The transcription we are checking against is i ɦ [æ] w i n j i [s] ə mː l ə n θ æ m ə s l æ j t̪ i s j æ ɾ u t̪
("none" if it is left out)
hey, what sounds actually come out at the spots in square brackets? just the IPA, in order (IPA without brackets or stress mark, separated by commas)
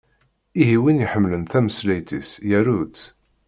i, ħ